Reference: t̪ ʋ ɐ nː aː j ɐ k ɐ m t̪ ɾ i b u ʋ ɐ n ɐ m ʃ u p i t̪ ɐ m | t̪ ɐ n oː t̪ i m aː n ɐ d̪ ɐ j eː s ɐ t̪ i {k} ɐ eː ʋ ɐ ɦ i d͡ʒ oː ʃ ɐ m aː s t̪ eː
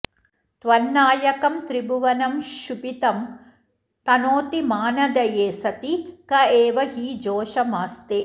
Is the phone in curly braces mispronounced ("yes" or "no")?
no